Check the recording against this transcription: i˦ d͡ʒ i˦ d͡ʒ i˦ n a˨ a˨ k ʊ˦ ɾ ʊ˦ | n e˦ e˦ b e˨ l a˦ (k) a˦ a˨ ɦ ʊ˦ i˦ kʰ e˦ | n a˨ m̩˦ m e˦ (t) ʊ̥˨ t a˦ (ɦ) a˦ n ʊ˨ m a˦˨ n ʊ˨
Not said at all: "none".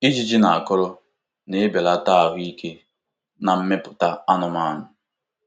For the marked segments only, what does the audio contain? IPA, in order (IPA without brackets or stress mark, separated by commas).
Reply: t, p, none